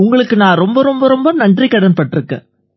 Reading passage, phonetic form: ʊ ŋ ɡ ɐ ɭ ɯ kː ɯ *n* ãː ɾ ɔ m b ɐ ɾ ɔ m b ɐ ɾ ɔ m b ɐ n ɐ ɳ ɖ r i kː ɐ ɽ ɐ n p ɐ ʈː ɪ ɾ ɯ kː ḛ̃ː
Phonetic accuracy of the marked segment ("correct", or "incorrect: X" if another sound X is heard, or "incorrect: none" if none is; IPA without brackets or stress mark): correct